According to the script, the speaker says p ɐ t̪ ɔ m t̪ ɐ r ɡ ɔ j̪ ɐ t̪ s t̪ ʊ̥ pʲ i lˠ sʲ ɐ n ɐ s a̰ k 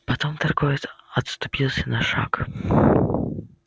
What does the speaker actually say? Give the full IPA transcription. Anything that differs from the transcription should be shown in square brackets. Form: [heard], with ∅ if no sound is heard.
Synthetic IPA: p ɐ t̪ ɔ m t̪ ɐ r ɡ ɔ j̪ ɐ t̪ s t̪ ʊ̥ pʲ i lˠ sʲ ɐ n ɐ [ʂ] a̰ k